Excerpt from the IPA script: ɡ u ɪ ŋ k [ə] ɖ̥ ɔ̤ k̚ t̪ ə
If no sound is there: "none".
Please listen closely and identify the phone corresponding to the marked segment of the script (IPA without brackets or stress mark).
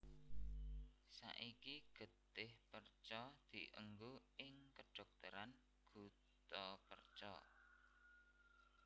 ə